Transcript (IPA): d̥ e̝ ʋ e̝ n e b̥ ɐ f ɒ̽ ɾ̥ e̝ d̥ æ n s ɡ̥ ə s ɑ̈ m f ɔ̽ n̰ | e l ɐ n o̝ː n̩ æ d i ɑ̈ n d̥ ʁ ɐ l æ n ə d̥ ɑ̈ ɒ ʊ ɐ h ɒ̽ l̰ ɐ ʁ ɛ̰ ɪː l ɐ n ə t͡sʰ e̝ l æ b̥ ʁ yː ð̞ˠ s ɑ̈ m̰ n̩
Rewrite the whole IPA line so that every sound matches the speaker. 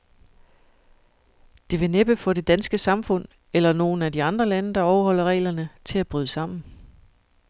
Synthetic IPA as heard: d̥ e̝ ʋ e̝ n e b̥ ə f ɒ̽ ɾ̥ e̝ d̥ æ n s ɡ̥ ə s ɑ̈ m f ɔ̽ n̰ | e l ɐ n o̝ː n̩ æ d i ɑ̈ n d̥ ʁ ɐ l æ n ə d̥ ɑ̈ ɒ ʊ ɐ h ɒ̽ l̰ ɐ ʁ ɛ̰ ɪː l ɐ n ə t͡sʰ e̝ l æ b̥ ʁ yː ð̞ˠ s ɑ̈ m̰ n̩